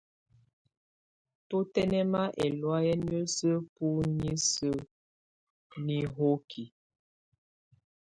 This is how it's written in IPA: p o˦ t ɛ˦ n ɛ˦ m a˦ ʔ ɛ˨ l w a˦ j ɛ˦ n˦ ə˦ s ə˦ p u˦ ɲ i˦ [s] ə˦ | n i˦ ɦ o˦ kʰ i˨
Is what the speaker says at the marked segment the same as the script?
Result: yes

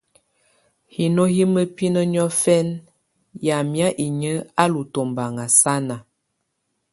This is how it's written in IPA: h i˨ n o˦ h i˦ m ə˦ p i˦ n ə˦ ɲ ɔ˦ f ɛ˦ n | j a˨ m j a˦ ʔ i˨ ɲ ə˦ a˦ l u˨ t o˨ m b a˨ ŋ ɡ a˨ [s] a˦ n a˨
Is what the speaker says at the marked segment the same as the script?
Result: yes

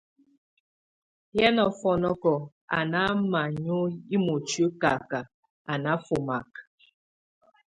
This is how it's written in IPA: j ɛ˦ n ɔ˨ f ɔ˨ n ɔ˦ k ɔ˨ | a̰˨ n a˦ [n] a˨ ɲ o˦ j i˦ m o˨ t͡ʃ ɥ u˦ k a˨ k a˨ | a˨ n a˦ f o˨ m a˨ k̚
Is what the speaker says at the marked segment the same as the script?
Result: no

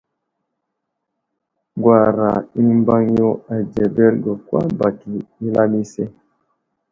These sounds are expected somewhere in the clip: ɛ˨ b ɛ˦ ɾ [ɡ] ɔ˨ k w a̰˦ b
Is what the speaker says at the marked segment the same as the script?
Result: yes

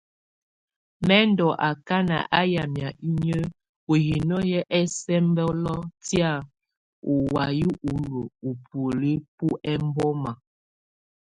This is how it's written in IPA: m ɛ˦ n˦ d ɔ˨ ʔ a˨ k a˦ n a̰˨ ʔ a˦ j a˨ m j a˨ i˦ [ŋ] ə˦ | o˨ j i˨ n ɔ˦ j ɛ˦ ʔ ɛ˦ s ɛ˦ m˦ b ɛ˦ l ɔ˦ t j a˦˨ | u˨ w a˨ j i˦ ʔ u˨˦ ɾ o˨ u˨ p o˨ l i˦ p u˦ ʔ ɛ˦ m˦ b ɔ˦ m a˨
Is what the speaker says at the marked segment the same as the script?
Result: no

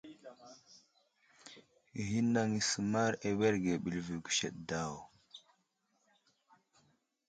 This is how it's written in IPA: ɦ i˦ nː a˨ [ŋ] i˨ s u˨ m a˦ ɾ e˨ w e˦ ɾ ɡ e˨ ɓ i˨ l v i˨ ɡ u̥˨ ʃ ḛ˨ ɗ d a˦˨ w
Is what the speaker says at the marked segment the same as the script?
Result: yes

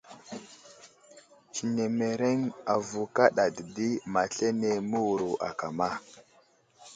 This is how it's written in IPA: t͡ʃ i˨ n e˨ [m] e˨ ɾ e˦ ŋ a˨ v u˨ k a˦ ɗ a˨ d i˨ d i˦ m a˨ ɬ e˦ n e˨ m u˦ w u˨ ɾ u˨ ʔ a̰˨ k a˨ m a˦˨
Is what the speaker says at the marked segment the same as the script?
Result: yes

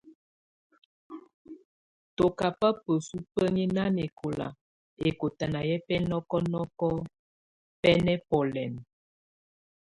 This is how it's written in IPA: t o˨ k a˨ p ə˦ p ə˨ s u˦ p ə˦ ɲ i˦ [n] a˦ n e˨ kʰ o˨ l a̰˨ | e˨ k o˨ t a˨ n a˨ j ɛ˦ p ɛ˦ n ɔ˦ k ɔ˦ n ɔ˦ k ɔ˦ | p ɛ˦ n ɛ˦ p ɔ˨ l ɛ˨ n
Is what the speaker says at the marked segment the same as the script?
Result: yes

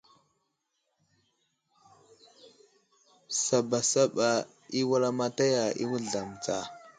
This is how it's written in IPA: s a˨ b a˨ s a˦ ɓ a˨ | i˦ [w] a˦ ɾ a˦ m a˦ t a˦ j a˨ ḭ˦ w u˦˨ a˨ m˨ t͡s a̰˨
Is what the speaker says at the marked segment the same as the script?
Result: yes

